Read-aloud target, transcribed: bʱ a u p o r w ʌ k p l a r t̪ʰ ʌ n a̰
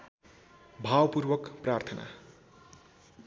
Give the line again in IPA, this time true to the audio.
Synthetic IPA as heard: bʱ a w p u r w ʌ k p r a r t̪ʰ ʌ n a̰